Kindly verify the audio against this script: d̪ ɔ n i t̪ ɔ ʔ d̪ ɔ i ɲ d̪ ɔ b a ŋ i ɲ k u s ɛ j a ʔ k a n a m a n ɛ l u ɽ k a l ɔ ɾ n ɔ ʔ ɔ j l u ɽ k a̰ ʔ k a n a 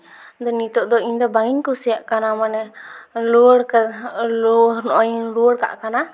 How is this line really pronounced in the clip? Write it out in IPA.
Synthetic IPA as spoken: d̪ ɔ n i t̪ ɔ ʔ d̪ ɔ i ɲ d̪ ɔ b a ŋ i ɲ k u s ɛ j a ʔ k a n a m a n ɛ l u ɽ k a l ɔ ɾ n ɔ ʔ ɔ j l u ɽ k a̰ ʔ k a n a